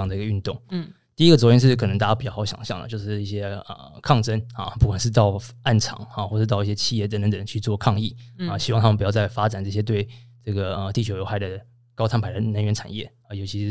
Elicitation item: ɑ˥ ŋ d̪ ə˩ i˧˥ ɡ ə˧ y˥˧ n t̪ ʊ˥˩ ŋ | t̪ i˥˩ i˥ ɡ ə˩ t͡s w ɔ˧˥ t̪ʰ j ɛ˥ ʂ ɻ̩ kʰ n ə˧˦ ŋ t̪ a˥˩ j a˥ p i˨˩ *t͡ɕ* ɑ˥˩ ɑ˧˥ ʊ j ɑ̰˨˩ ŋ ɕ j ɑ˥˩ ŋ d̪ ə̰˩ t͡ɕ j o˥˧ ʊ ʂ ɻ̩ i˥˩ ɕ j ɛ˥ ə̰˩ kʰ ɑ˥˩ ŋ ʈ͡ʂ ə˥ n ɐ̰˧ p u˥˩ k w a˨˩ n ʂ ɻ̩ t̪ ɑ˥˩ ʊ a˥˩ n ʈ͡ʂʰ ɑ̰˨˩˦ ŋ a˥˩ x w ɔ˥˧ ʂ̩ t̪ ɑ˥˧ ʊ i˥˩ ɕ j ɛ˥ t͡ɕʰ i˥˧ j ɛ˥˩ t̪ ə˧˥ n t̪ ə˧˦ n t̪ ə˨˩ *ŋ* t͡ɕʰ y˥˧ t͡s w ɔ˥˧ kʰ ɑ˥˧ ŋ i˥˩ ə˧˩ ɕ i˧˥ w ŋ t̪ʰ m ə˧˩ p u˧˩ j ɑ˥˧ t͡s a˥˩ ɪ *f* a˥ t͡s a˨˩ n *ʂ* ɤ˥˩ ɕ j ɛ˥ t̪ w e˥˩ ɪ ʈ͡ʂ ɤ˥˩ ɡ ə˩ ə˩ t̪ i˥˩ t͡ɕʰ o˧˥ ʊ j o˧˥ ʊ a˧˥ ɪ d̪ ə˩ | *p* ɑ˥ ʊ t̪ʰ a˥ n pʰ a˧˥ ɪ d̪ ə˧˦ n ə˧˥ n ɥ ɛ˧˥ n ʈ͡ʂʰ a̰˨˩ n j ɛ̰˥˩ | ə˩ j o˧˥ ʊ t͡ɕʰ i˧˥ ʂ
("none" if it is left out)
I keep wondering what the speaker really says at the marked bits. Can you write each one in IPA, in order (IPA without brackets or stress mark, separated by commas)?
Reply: t͡ɕ, ŋ, f, ʈ͡ʂ, k